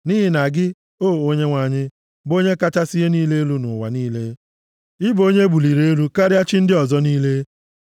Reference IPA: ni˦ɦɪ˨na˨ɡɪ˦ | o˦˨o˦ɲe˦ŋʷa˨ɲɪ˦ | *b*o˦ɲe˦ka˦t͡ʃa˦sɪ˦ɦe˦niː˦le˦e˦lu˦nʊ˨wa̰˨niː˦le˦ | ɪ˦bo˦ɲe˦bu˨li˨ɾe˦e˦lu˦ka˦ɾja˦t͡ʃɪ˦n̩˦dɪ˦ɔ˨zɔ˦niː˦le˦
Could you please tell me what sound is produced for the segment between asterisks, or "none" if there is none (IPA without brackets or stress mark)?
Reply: b